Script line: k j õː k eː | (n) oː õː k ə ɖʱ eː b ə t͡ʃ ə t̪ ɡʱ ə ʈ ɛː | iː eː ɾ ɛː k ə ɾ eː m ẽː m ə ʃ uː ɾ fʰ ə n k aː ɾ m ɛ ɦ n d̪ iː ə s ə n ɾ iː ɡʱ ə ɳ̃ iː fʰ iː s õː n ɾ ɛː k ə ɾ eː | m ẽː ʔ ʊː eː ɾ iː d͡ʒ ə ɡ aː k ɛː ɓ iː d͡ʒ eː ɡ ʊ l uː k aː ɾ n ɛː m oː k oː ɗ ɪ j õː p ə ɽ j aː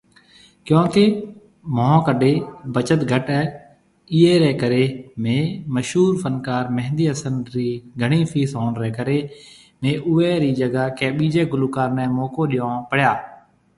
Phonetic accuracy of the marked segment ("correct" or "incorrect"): incorrect